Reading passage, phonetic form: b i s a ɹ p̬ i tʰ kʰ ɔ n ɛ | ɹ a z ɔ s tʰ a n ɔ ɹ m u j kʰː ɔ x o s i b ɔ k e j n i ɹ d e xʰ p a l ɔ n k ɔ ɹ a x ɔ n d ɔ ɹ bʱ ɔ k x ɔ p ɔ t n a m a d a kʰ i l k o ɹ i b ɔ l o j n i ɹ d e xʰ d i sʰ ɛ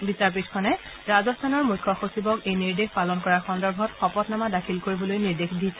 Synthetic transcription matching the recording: b i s a ɹ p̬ i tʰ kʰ ɔ n ɛ | ɹ a z ɔ s tʰ a n ɔ ɹ m u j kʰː ɔ x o s i b ɔ k e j n i ɹ d e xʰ p a l ɔ n k ɔ ɹ a x ɔ n d ɔ ɹ bʱ ɔ t x ɔ p ɔ t n a m a d a kʰ i l k o ɹ i b ɔ l o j n i ɹ d e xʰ d i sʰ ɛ